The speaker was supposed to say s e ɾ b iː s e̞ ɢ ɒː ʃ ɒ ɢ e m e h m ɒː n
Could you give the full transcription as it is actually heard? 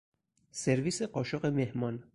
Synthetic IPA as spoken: s e ɾ v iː s e̞ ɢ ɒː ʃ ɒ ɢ e m e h m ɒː n

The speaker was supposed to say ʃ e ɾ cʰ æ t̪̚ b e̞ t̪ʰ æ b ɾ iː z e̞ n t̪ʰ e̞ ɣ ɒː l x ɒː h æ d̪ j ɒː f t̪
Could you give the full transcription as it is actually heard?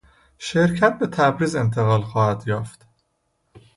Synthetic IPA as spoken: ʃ e ɾ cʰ æ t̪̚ b e̞ t̪ʰ æ b ɾ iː z e̞ n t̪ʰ e̞ ɣ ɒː l x ɒː h æ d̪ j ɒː f t̪

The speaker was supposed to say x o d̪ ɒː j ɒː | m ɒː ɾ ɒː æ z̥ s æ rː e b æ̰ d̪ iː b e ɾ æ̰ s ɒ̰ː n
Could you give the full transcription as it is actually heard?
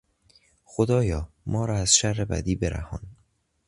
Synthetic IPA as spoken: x o d̪ ɒː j ɒː | m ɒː ɾ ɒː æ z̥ ʃ æ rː e b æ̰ d̪ iː b e ɾ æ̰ h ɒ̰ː n

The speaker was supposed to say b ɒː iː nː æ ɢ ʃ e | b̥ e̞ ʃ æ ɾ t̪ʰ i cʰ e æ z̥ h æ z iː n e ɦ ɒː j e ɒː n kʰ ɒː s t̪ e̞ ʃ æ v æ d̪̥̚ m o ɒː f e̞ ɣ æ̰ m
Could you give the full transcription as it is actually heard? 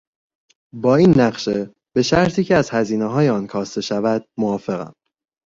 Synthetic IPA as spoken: b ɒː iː nː æ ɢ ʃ e | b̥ e̞ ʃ æ ɾ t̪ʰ iː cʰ e æ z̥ h æ z iː n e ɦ ɒː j e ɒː n kʰ ɒː s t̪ e̞ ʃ æ v æ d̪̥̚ m o ɒː f e̞ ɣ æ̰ m

